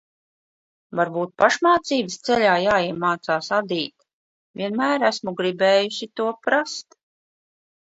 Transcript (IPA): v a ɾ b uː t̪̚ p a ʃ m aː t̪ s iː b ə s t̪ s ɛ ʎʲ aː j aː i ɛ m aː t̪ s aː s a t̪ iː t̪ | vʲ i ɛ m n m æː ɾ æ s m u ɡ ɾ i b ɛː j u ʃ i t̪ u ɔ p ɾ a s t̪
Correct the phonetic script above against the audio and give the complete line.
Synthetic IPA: v a ɾ b uː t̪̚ p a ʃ m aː t̪ s iː b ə s t̪ s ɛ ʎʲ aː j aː i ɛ m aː t̪ s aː s a d̪ iː t̪ | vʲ i ɛ n m æː ɾ æ s m u ɡ ɾ i b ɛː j u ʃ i t̪ u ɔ p ɾ a s t̪